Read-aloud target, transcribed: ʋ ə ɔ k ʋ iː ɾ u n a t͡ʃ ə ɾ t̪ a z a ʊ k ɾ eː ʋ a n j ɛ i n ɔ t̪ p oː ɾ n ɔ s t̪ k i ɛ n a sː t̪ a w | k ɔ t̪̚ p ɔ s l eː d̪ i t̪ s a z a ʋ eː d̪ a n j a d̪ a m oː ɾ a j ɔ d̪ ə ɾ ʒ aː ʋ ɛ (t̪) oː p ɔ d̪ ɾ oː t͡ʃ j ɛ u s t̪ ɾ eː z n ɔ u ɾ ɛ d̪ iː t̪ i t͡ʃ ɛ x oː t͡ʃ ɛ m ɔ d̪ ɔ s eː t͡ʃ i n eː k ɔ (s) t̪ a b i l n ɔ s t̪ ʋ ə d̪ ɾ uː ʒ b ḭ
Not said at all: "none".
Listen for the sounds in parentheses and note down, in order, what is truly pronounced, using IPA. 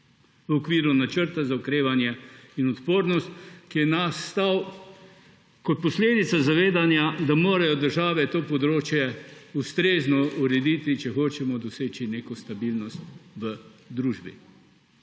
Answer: t̪, s

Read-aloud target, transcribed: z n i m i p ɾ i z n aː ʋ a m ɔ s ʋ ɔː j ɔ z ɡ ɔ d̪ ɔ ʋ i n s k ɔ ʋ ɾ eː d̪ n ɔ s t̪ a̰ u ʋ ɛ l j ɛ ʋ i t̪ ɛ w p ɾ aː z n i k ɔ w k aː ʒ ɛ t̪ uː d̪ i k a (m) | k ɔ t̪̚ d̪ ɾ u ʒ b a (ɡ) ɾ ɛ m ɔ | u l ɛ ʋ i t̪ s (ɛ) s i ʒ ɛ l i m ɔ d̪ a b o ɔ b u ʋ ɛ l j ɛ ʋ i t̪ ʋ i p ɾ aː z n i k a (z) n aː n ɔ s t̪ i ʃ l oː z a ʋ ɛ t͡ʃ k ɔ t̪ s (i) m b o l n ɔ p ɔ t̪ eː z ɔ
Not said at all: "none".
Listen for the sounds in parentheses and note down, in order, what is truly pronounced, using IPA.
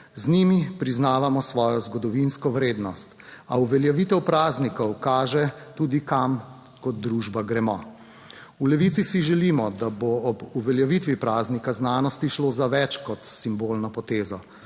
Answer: m, ɡ, i, z, i

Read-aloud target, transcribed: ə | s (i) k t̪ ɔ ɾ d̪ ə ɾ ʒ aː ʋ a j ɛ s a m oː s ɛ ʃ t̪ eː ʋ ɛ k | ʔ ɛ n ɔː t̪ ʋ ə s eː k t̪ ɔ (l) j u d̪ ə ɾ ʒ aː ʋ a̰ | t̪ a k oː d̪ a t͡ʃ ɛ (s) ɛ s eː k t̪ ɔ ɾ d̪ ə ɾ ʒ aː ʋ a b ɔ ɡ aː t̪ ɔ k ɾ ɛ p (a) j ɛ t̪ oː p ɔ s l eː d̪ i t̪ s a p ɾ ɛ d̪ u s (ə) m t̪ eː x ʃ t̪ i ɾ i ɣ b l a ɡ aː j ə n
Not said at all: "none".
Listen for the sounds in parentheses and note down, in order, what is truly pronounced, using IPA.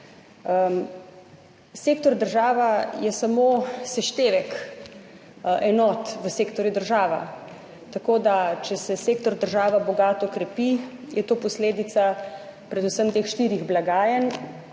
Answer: e, ɾ, s, i, ə

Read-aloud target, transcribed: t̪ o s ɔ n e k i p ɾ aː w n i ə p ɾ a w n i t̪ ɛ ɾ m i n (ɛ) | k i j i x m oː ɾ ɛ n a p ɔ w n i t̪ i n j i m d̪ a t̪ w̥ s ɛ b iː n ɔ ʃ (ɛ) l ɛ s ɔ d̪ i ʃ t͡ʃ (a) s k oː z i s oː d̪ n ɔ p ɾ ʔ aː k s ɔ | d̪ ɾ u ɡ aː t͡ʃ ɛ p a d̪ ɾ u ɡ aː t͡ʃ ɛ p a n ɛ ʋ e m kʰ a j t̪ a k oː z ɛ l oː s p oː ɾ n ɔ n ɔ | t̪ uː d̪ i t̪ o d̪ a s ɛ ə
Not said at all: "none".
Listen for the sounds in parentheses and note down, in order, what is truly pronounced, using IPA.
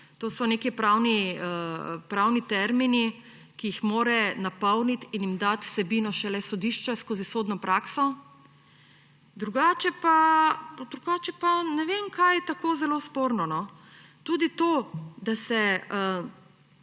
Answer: i, ɛ, ɛ

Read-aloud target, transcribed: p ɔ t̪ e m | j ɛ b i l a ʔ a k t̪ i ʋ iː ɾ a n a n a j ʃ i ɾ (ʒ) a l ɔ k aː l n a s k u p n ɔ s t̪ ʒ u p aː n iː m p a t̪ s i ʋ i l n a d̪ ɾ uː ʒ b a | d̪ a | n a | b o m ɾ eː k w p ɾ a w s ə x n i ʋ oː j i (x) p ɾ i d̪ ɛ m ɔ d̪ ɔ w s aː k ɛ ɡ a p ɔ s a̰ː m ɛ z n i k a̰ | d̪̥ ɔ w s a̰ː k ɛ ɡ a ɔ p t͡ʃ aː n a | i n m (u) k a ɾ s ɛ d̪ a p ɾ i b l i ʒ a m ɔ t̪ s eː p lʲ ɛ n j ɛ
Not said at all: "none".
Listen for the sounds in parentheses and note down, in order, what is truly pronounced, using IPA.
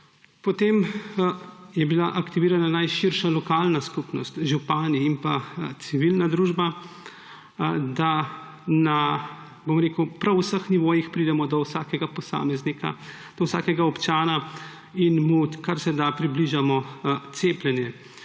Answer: ʃ, x, u

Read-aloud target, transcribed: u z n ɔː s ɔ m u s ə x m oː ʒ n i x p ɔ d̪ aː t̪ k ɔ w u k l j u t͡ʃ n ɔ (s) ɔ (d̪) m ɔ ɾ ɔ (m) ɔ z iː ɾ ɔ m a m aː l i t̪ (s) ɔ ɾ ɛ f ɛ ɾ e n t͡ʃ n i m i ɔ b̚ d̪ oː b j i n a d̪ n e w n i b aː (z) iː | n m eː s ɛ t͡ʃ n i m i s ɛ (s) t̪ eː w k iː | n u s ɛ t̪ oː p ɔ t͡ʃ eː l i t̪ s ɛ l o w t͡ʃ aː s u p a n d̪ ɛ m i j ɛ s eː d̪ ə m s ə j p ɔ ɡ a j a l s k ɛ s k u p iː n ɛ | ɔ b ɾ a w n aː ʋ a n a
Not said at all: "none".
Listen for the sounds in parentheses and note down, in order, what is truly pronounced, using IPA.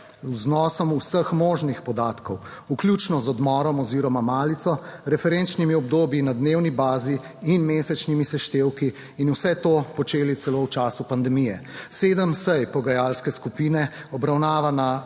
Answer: z, d̪, m, s, z, ʃ

